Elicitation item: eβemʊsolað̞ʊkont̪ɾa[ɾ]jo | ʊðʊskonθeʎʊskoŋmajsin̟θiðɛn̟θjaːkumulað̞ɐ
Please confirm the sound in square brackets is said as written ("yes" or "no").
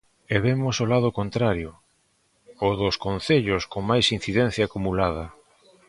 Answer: yes